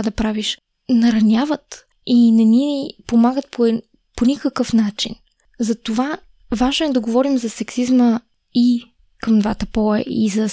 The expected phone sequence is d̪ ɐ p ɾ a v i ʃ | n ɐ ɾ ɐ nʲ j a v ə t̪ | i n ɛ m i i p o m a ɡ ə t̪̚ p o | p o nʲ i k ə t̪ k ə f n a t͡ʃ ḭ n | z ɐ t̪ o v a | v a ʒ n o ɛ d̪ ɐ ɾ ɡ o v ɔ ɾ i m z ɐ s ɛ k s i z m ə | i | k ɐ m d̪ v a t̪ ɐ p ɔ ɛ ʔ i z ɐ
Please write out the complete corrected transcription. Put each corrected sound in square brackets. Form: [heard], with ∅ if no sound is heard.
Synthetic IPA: d̪ ɐ p ɾ a v i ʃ | n ɐ ɾ ɐ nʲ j a v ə t̪ | i n ɛ [n] i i p o m a ɡ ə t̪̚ p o | p o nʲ i k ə [∅] k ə f n a t͡ʃ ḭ n | z ɐ t̪ o v a | v a ʒ n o ɛ d̪ ɐ [∅] ɡ o v ɔ ɾ i m z ɐ s ɛ k s i z m ə | i | k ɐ m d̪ v a t̪ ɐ p ɔ ɛ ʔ i z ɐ